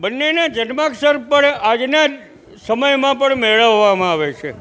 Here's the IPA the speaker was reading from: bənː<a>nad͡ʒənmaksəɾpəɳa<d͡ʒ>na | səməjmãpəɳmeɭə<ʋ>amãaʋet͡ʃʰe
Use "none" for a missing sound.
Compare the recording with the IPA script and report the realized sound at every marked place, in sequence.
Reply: e, d͡ʒ, ʋː

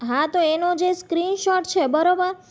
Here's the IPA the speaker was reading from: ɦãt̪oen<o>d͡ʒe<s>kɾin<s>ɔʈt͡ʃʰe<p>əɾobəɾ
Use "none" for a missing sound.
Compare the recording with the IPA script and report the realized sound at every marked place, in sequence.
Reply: o, s, ʃ, b

